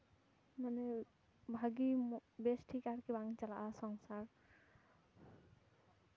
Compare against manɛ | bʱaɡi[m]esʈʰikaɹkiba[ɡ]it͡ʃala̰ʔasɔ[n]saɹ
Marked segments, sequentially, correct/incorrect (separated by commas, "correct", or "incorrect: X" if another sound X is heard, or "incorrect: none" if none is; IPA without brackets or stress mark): incorrect: b, incorrect: ŋ, incorrect: ŋ